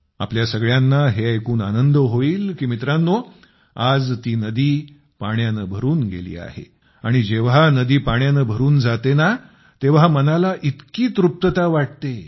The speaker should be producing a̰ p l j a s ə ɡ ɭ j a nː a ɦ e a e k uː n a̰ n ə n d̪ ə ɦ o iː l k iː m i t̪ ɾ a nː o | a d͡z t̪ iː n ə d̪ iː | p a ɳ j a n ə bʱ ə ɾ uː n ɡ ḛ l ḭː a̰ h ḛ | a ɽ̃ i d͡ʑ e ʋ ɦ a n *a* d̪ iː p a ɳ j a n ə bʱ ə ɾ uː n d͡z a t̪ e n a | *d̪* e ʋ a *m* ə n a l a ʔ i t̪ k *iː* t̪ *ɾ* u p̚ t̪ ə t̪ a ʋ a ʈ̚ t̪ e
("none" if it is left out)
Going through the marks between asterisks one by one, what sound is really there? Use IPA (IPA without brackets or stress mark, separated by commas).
ə, t̪, m, iː, ɾ